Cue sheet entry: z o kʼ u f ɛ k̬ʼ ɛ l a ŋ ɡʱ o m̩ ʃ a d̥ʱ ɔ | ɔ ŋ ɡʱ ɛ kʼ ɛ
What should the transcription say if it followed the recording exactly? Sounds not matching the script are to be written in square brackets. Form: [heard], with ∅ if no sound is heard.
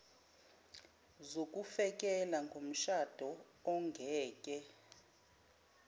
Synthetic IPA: z o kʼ u f ɛ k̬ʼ ɛ l a ŋ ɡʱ o m̩ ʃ a d̥ʱ ɔ | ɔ ŋ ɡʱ [ɛː] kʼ ɛ

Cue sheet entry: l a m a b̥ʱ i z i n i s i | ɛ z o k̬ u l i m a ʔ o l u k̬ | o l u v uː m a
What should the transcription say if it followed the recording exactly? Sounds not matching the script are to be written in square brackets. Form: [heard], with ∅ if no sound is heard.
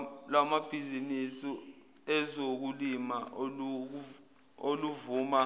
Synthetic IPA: l a m a b̥ʱ i z i n i s i | ɛ z o k̬ u l i m a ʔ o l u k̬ | o l u v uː m a

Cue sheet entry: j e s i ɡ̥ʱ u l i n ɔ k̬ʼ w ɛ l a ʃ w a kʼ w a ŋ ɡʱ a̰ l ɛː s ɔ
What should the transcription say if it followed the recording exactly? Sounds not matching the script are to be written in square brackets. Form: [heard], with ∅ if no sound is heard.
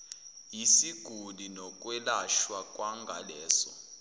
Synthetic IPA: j [i] s i ɡ̥ʱ u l i n ɔ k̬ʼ w ɛ l a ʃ w a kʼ w a ŋ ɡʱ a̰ l ɛː s ɔ

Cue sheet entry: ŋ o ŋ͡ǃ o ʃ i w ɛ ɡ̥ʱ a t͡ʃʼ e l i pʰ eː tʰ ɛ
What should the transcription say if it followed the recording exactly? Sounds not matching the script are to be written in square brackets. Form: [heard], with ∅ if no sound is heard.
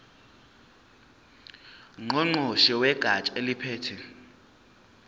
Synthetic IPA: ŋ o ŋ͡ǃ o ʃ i w ɛ ɡ̥ʱ a t͡ʃʼ e l i pʰ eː tʰ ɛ

